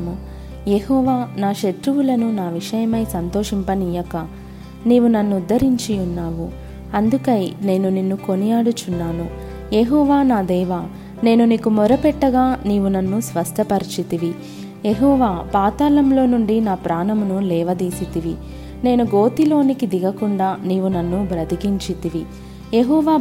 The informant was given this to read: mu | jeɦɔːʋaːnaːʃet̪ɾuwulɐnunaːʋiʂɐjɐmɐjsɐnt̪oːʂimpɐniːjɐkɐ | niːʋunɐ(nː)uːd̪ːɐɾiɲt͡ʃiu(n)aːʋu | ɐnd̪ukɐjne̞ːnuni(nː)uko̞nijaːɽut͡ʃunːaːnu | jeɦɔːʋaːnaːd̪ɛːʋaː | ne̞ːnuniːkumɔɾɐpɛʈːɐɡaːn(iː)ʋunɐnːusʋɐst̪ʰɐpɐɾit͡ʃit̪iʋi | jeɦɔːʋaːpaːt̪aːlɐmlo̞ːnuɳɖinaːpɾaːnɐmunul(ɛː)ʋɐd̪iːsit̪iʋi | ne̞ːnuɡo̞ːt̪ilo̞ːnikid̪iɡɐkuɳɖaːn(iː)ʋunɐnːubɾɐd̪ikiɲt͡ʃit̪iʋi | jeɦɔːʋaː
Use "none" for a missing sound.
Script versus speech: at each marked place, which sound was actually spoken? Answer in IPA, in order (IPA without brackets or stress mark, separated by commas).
nː, nː, nː, iː, ɛː, iː